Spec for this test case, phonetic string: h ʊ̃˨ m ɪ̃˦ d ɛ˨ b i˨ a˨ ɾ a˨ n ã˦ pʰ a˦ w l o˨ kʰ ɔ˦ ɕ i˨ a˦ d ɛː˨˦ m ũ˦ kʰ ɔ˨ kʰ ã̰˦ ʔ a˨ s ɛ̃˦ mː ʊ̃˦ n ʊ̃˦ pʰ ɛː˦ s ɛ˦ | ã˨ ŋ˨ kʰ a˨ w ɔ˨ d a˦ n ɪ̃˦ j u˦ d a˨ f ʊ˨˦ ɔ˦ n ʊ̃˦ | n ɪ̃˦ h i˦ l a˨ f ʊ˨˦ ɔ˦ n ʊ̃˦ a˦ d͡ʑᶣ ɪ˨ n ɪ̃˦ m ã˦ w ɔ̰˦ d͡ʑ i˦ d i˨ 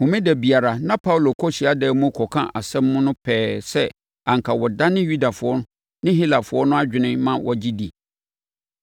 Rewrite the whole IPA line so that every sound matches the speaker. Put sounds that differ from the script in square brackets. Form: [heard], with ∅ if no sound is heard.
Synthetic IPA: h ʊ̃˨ m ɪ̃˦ d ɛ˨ b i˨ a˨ ɾ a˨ n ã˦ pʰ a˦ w l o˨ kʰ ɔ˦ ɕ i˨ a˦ d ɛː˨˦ m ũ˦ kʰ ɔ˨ kʰ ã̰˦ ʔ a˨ s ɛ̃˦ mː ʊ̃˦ n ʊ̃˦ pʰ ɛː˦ s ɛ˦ | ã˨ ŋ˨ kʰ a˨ w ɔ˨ d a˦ n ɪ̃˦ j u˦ d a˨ f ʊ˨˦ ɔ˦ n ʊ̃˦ | n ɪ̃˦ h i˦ l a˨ f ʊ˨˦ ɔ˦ n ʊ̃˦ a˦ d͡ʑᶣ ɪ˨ n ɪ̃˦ m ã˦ w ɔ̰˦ d͡ʑ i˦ d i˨